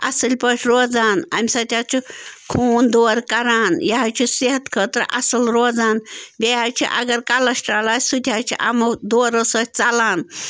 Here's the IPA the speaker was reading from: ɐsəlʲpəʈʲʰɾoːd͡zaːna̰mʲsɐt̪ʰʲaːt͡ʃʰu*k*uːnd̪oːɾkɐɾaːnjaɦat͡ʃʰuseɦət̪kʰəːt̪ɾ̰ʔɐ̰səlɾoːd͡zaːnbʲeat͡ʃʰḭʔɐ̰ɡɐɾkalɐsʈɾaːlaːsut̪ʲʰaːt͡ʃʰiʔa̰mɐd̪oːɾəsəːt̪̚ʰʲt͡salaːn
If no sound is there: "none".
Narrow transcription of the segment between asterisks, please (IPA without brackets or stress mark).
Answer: kʰ